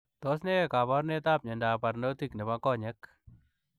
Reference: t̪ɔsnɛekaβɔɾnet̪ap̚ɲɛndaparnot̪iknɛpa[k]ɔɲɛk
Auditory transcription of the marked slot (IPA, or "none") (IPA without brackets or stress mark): k